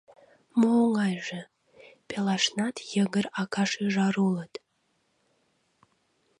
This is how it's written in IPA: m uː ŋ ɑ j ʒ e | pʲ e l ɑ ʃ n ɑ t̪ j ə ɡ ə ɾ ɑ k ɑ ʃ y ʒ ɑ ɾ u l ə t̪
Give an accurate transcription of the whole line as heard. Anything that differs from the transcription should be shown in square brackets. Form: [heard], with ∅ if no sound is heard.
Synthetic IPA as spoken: m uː ŋ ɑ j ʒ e | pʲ e l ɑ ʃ n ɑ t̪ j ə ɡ ə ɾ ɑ k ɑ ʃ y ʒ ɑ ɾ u l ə t̪